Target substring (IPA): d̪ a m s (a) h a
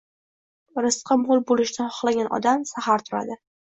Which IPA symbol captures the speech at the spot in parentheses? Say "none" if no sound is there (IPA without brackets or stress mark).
a